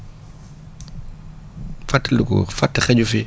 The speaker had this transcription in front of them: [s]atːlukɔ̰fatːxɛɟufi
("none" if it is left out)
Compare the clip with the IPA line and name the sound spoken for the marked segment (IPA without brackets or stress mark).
f